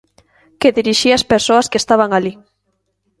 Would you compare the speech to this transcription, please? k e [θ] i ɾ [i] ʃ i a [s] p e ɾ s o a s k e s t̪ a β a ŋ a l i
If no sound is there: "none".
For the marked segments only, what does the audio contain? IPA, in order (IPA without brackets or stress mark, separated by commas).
ð, i, s